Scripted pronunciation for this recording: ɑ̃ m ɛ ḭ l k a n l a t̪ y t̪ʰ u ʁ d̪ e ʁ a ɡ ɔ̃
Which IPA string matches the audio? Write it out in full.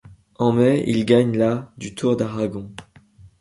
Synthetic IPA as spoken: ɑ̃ m ɛ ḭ l ɡ a ɲ l a d̪ y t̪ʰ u ʁ d̪ a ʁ a ɡ ɔ̃